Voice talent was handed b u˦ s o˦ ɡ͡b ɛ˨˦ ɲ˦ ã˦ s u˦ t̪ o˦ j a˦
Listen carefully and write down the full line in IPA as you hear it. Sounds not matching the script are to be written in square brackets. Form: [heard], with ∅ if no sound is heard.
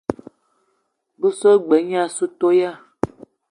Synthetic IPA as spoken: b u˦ s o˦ ɡ͡b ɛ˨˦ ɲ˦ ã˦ s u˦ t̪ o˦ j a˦